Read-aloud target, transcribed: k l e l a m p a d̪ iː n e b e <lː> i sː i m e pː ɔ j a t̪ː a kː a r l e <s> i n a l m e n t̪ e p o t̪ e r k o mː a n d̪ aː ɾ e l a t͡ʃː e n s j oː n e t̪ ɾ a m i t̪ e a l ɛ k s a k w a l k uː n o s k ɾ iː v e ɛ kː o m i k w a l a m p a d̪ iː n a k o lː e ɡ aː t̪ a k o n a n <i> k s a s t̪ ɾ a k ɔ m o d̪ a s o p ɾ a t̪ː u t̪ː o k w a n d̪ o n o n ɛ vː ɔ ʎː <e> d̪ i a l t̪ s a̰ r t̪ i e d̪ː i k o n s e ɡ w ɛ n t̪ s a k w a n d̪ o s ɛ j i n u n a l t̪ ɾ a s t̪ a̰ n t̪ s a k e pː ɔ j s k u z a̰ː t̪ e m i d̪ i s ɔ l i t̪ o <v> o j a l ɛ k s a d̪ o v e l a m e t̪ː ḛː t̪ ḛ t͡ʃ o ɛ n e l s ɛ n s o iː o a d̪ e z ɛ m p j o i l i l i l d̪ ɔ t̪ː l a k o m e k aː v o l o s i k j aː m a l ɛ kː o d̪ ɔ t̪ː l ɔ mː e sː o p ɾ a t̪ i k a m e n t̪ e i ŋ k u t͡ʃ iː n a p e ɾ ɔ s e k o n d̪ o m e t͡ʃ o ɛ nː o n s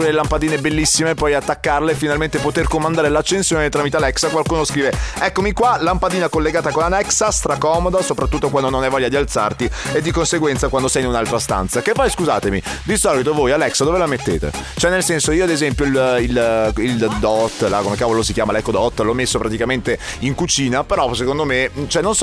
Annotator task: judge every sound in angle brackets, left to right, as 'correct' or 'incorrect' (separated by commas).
correct, incorrect, incorrect, incorrect, correct